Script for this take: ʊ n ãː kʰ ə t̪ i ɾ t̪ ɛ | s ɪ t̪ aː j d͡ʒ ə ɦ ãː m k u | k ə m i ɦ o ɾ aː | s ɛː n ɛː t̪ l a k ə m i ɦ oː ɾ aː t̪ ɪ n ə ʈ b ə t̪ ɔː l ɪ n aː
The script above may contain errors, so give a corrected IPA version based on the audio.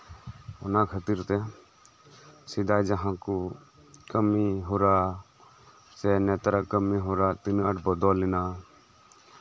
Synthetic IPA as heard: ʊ n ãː kʰ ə t̪ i ɾ t̪ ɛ | s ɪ d̪ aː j d͡ʒ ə ɦ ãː k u | k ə m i ɦ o ɾ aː | s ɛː n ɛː t̪ ɾ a k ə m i ɦ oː ɾ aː t̪ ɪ n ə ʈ b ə d̪ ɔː l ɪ n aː